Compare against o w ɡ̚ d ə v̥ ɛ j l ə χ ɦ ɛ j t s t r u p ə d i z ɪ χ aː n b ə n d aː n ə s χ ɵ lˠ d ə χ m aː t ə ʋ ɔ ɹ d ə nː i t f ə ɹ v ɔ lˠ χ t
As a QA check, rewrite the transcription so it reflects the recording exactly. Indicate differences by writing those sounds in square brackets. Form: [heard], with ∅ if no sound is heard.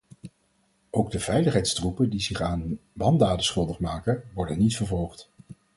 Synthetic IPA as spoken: o w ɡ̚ d ə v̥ ɛ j l ə χ ɦ ɛ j t s t r u p ə d i z ɪ χ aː n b [ɑ] n d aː [d] ə s χ ɵ lˠ d ə χ m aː [k] ə ʋ ɔ ɹ d ə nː i t f ə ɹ v ɔ lˠ χ t